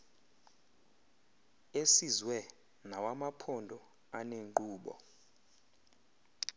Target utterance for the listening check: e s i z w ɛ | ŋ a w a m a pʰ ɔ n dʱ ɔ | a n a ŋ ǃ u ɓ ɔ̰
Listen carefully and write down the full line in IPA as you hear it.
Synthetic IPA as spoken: e s i z w ɛ | n a w a m a pʰ ɔ n dʱ ɔ | a n e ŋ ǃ uː ɓ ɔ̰